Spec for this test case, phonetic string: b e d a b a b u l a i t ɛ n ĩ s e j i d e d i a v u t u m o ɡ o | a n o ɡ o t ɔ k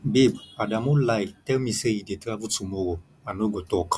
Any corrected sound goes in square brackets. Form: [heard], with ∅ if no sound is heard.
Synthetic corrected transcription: b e [b] a [d] a [m] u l a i t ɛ [m] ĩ s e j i d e [t] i a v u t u m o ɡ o | a n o ɡ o t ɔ k